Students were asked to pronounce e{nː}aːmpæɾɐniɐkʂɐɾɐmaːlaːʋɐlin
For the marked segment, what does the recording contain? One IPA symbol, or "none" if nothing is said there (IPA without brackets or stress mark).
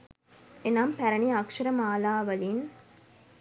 n